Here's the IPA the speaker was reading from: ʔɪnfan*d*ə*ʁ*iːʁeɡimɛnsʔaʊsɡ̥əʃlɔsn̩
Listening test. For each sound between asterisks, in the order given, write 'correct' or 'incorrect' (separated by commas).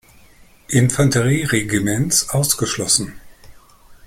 incorrect, correct